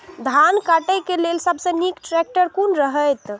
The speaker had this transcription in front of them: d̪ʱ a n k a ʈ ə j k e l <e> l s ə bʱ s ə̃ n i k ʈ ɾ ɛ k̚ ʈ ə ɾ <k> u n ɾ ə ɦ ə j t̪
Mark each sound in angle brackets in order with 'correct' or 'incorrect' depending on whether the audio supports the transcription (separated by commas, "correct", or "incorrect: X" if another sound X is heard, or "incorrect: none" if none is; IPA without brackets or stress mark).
correct, correct